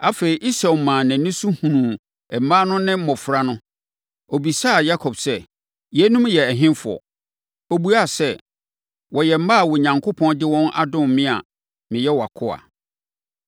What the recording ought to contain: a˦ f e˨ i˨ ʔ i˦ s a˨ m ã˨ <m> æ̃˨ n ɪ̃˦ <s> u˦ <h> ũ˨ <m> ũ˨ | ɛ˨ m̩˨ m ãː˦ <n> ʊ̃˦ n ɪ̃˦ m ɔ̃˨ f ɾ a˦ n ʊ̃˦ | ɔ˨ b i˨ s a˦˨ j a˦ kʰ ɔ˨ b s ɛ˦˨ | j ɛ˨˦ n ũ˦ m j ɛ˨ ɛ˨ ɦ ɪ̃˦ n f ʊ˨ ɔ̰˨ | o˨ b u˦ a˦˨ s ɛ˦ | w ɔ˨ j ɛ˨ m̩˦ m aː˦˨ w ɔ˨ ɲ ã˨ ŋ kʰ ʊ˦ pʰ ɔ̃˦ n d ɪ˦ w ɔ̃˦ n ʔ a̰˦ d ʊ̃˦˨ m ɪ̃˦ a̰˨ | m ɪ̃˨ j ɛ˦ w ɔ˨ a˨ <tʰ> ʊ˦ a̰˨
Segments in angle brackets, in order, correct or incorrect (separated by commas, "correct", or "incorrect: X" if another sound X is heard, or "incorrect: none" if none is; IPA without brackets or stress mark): incorrect: n, correct, correct, incorrect: n, correct, incorrect: kʰ